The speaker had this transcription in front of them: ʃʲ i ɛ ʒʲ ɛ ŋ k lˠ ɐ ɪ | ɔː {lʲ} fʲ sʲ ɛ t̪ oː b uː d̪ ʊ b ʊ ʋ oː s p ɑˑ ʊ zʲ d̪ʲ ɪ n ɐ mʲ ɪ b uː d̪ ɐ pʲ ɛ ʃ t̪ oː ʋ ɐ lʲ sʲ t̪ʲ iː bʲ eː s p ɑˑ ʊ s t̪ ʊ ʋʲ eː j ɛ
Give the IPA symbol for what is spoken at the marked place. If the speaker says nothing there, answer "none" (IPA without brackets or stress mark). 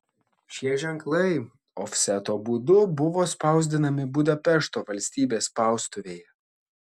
none